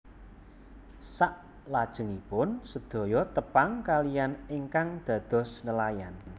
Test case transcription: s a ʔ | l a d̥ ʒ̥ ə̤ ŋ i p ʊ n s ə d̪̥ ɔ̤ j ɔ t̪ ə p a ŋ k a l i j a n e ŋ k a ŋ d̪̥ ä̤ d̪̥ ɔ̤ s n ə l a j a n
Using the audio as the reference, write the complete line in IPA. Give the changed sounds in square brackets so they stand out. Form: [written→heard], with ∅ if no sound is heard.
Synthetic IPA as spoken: s a ʔ | l a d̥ ʒ̥ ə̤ ŋ i p ʊ n s ə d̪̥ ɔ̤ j ɔ t̪ ə p a ŋ k a l i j a n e ŋ k a ŋ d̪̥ ä̤ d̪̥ ɔ̤ s n ə l a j a n